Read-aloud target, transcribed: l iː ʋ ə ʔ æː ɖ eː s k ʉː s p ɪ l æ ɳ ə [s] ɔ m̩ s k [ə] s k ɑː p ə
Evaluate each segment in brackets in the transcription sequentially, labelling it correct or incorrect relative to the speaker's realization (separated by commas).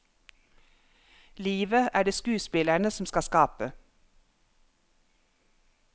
correct, incorrect